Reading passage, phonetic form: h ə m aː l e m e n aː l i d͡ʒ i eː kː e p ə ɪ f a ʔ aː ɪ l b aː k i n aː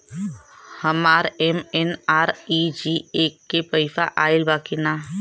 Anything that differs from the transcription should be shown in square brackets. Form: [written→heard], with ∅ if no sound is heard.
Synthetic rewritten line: h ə m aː [l→ɾ] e m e n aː [l→ɾ] i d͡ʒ i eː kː e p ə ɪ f a ʔ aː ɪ l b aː k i n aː